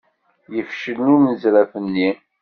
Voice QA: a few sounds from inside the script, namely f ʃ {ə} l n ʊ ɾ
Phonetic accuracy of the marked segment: correct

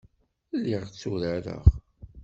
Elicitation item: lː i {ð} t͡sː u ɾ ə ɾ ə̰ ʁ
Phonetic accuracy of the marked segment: incorrect: ʁ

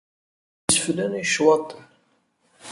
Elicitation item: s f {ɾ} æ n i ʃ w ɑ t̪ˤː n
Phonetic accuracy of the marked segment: incorrect: l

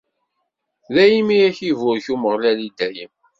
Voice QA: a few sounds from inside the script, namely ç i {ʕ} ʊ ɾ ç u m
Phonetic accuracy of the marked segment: incorrect: v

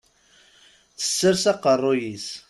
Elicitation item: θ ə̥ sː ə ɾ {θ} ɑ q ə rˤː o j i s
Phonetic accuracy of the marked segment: incorrect: s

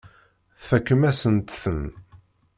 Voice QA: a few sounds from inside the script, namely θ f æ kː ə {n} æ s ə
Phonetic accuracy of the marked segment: incorrect: m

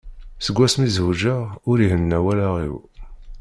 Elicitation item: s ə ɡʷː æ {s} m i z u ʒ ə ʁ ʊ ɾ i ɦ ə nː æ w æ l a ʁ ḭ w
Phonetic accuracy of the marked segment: correct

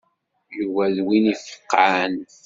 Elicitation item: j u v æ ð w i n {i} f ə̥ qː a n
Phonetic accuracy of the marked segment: correct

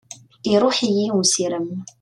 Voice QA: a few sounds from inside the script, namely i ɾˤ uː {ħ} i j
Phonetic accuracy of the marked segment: correct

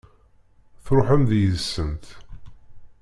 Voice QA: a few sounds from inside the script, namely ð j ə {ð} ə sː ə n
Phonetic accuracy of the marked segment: correct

